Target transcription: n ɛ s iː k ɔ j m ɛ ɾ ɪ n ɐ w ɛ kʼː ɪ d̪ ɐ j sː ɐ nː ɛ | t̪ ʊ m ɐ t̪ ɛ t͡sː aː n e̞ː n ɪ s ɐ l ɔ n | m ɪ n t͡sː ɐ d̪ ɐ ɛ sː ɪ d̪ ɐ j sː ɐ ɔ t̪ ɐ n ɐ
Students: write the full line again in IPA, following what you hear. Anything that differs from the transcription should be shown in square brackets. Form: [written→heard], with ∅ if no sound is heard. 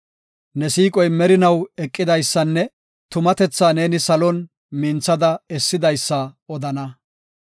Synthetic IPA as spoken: n ɛ s iː [k→kʼ] ɔ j m ɛ ɾ ɪ n ɐ w ɛ kʼː ɪ d̪ ɐ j sː ɐ nː ɛ | t̪ ʊ m ɐ t̪ ɛ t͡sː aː n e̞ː n ɪ s ɐ l ɔ n | m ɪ n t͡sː ɐ d̪ ɐ ɛ sː ɪ d̪ ɐ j sː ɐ ɔ [t̪→d̪] ɐ n ɐ